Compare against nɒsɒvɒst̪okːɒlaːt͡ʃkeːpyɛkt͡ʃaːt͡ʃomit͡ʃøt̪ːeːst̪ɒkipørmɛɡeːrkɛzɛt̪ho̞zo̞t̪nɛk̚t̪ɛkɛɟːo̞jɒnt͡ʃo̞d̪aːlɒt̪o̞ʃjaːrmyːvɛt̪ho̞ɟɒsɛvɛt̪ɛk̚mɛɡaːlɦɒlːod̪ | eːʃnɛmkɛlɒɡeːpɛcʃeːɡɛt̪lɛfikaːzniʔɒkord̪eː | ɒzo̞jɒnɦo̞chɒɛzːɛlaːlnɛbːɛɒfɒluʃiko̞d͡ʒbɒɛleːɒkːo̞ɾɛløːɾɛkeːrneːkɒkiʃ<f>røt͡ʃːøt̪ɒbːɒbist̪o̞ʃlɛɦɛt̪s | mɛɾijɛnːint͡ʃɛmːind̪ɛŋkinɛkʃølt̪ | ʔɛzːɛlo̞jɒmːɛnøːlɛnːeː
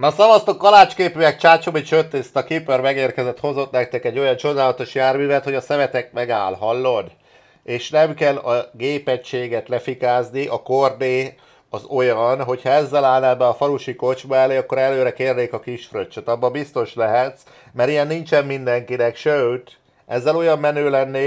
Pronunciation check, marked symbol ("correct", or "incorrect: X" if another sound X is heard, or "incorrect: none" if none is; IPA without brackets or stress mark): correct